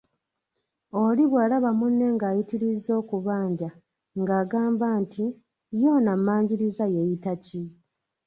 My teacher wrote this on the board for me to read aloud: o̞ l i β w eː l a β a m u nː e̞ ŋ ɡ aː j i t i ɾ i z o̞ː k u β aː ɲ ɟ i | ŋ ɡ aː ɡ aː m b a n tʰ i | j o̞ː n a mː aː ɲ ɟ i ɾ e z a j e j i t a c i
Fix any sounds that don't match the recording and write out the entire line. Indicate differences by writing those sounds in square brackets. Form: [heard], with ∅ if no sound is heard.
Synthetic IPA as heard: o̞ l i β w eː l a β a m u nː e̞ ŋ ɡ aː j i t i ɾ i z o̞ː k u β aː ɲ ɟ [a] | ŋ ɡ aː ɡ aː m b a n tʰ i | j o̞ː n a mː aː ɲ ɟ i ɾ [i] z a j e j i t a c i